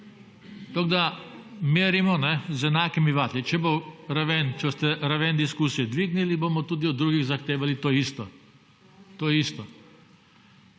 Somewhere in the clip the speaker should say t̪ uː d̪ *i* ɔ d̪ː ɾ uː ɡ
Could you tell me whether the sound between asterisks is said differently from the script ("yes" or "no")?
no